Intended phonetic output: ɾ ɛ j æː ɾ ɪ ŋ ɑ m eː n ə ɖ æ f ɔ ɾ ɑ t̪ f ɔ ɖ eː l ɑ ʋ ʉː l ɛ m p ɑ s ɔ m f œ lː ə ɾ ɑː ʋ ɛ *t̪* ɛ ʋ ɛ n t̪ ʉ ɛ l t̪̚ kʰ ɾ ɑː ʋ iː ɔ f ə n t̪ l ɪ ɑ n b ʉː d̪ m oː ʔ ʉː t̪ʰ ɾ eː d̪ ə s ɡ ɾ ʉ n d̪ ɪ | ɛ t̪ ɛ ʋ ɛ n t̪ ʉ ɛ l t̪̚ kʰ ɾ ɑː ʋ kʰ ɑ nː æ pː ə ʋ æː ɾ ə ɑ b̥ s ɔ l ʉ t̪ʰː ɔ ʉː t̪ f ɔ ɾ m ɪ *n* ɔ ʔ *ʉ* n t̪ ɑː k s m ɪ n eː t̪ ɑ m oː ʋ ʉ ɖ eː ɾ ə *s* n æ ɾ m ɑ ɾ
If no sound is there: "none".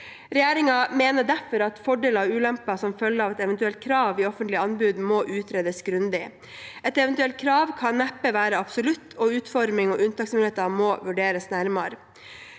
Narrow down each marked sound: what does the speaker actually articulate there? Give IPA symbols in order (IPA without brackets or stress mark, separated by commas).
t̪, ŋ, ʉ, s